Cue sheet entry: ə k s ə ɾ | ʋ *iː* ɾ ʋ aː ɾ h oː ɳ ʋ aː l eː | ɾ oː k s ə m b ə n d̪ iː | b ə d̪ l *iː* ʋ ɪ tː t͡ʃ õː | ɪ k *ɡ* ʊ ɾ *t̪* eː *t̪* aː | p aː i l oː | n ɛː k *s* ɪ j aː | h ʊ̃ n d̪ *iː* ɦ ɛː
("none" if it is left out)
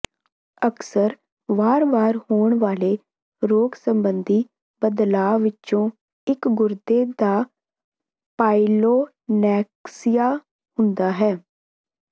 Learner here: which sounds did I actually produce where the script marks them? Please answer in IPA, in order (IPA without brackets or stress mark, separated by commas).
aː, aː, ɡ, d̪, d̪, s, aː